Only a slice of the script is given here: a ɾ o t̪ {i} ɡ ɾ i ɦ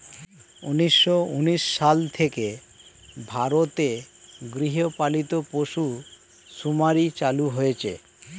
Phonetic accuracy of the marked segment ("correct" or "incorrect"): incorrect